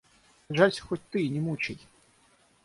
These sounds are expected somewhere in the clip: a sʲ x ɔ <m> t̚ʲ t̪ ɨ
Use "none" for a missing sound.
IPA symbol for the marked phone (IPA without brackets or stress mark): none